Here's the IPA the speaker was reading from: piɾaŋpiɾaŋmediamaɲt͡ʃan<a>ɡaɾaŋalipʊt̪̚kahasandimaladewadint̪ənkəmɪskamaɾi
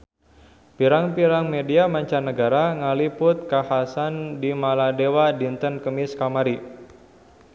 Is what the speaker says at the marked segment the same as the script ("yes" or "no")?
no